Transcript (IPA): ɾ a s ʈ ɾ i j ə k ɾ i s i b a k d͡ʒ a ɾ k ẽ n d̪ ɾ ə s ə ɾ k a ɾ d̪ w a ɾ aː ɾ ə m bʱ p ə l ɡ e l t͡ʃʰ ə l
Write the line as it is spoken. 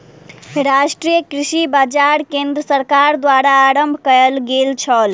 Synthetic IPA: ɾ a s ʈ ɾ i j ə k ɾ i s i b a d͡ʒ a ɾ k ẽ n d̪ ɾ ə s ə ɾ k a ɾ d̪ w a ɾ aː ɾ ə m bʱ k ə l ɡ e l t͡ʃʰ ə l

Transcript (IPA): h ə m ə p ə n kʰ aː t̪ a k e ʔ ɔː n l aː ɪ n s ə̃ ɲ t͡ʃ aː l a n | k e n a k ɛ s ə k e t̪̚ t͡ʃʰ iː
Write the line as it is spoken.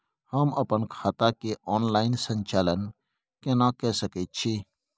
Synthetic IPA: h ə m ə p ə n kʰ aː t̪ a k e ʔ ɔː n l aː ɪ n s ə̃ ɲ t͡ʃ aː l ə n | k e n a k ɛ s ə k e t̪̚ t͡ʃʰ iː

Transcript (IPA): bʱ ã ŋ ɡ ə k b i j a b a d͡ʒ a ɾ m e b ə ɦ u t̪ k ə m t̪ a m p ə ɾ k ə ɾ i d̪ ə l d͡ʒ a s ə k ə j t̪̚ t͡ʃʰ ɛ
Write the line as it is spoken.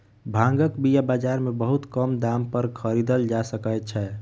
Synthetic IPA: bʱ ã ŋ ɡ ə k b i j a b a d͡ʒ a ɾ m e b ə ɦ u t̪ k ə m d̪ a m p ə ɾ kʰ ə ɾ i d̪ ə l d͡ʒ a s ə k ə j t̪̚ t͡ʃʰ ɛ

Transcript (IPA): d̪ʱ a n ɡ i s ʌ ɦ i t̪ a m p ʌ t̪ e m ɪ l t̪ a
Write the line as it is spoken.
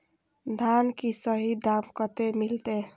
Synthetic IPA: d̪ʱ a n k i s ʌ ɦ i d̪ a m k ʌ t̪ e m i l t̪ e

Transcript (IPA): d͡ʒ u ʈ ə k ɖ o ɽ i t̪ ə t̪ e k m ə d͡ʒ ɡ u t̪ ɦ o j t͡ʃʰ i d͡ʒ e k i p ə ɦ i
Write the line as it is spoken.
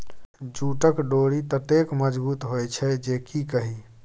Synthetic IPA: d͡ʒ u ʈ ə k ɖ o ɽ i t̪ ə t̪ e k m ə d͡ʒ b u t̪ ɦ o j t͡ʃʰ ɛ d͡ʒ e k i k ə ɦ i

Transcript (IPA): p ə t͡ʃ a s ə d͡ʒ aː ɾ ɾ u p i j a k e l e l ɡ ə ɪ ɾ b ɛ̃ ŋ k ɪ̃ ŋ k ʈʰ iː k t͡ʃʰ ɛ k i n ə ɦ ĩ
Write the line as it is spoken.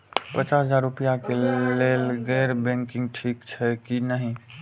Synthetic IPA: p ə t͡ʃ a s ə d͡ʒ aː ɾ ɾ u p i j a k e l e l ɡ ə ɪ ɾ b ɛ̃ ŋ k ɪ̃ ŋ ɡ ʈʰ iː k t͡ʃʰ ɛ k i n ə ɦ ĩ

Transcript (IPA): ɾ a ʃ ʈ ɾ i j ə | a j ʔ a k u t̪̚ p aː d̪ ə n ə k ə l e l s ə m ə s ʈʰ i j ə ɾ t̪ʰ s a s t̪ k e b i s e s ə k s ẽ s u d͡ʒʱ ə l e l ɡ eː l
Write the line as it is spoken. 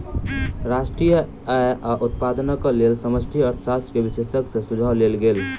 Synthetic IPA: ɾ a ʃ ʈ ɾ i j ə | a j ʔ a ʔ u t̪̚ p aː d̪ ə n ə k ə l e l s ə m ə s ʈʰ i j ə ɾ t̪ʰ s a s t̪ k e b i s e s ə k s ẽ s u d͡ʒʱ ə l e l ɡ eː l

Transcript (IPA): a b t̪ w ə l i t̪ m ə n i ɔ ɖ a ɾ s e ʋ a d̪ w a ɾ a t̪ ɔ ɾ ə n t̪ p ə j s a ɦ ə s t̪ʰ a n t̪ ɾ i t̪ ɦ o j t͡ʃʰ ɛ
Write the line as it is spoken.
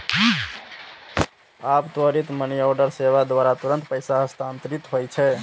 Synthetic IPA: a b t̪ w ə ɾ i t̪ m ə n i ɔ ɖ ə ɾ s e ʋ a d̪ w a ɾ a t̪ u ɾ ə n t̪ p ə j s a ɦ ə s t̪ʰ a n t̪ ɾ i t̪ ɦ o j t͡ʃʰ ɛ

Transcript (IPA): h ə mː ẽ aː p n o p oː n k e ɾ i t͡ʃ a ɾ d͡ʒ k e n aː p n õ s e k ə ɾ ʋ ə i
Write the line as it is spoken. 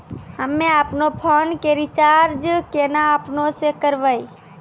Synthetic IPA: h ə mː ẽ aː p n o pʰ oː n k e ɾ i t͡ʃ a ɾ d͡ʒ k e n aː p n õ s e k ə ɾ ʋ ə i

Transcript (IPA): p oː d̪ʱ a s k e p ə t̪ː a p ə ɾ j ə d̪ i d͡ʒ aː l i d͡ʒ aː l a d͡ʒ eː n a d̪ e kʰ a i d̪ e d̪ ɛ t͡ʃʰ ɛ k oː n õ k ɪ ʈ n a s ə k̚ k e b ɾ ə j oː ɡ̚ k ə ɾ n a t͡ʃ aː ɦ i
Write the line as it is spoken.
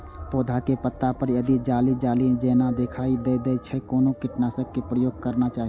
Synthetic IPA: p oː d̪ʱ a k e p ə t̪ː a p ə ɾ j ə d̪ i d͡ʒ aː l i d͡ʒ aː l i d͡ʒ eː n a d̪ e kʰ a i d̪ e d̪ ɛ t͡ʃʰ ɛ k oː n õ k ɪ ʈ n a s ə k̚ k e p ɾ ə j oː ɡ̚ k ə ɾ n a t͡ʃ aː ɦ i

